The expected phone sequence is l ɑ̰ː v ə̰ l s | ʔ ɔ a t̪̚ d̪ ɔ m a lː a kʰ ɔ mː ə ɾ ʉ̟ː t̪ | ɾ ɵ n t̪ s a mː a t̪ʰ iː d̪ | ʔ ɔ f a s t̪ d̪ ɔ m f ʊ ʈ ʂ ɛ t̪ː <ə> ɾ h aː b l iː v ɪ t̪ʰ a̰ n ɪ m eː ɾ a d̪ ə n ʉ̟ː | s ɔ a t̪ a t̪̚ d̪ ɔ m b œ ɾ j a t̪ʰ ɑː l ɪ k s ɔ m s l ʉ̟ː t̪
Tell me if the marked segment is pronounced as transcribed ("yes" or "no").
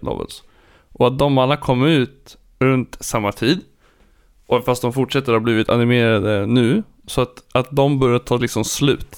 yes